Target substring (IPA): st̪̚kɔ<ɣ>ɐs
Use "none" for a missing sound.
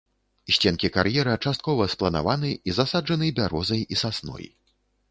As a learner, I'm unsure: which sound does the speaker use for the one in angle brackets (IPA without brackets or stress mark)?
v